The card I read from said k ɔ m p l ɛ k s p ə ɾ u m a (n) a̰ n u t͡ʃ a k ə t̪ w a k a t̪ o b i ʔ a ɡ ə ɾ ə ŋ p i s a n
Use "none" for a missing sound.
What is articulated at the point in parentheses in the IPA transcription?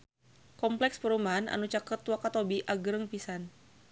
n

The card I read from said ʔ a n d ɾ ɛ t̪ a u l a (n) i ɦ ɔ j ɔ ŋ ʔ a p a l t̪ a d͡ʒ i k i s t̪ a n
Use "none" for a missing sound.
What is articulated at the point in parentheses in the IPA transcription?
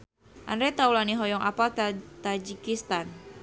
n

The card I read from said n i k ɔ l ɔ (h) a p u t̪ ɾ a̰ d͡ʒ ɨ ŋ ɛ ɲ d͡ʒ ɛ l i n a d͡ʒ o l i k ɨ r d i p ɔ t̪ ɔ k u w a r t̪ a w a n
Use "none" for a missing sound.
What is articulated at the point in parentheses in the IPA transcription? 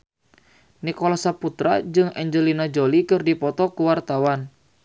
s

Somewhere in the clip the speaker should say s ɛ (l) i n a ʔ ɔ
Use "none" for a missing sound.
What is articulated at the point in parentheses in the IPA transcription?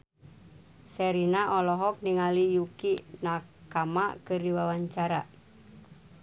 ɾ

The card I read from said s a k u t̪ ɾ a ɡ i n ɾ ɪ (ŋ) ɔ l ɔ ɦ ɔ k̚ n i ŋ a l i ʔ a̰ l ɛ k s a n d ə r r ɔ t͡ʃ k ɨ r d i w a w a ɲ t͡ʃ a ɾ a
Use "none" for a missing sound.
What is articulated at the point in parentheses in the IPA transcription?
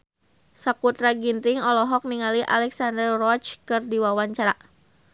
ŋ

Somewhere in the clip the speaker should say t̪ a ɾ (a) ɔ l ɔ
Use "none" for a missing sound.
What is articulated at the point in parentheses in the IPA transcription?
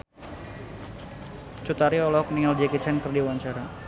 i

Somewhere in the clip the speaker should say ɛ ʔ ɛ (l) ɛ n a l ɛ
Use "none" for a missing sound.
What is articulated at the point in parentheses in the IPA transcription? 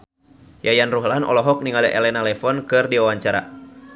l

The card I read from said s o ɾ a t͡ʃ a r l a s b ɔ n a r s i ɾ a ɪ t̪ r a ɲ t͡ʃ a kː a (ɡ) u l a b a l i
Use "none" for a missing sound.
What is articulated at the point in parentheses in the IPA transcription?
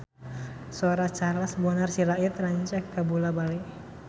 b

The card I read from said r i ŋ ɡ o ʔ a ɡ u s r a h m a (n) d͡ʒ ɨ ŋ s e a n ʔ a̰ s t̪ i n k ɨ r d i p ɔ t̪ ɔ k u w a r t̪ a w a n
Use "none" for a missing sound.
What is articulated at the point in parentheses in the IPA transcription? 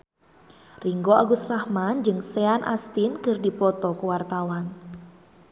n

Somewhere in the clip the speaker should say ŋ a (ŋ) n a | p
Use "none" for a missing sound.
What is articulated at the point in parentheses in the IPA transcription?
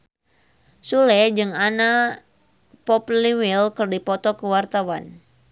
none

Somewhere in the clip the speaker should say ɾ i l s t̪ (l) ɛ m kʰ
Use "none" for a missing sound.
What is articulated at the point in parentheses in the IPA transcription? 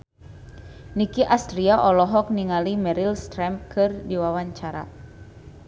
ɾ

